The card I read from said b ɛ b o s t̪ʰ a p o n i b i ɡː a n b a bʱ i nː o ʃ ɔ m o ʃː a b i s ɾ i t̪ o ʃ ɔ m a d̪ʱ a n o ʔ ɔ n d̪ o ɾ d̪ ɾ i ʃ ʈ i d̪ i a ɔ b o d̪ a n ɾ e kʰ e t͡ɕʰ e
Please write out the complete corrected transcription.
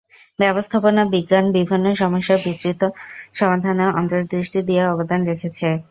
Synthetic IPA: b ɛ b o s t̪ʰ a p o n a b i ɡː a n b i bʱ i nː o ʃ ɔ m o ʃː a b i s ɾ i t̪ o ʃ ɔ m a d̪ʱ a n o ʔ ɔ n t̪ o ɾ d̪ ɾ i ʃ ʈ i d̪ i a ɔ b o d̪ a n ɾ e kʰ e t͡ɕʰ e